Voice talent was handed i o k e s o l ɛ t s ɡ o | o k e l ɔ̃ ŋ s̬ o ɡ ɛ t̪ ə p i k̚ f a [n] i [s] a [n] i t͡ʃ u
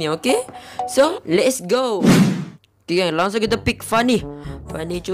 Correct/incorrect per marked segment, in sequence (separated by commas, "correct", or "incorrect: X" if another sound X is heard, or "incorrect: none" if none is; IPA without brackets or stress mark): correct, incorrect: f, correct